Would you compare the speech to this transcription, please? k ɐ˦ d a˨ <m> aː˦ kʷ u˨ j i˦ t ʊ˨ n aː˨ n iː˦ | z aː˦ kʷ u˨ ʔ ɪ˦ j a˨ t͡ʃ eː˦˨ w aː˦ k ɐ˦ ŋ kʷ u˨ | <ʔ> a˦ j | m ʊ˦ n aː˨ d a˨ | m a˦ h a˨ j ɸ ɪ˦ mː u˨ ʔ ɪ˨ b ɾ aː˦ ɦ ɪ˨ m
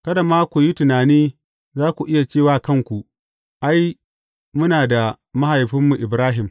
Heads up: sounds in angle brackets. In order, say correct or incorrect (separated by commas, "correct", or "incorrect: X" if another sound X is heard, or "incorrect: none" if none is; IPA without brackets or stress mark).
correct, correct